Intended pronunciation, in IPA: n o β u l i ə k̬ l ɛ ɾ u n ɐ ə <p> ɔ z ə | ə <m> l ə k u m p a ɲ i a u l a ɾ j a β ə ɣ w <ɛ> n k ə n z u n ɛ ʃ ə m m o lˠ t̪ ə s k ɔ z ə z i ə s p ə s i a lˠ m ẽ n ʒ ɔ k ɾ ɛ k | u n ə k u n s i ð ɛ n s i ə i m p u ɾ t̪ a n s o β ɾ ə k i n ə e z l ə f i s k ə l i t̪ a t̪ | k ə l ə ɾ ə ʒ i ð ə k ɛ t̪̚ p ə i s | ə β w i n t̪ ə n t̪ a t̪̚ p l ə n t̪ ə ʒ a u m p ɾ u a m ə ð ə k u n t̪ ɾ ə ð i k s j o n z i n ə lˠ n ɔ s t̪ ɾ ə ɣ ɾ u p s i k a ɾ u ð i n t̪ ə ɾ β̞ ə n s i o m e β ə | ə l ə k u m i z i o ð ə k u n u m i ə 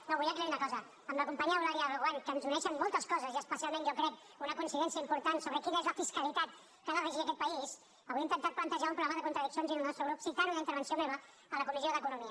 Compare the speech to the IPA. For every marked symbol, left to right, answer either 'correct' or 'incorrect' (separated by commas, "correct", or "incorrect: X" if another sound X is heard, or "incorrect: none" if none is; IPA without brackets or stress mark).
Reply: incorrect: k, correct, incorrect: a